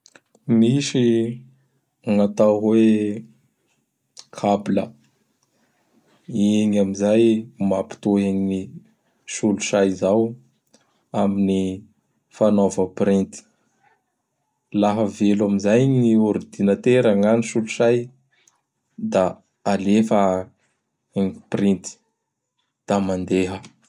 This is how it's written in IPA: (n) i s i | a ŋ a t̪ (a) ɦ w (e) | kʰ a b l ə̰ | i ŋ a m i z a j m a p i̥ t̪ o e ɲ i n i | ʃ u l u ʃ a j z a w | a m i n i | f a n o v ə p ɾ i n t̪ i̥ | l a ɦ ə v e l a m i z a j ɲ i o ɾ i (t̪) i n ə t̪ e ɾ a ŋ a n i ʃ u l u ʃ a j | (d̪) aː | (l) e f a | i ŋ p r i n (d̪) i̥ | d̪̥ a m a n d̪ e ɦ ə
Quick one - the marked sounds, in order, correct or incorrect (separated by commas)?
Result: incorrect, correct, correct, incorrect, correct, correct, incorrect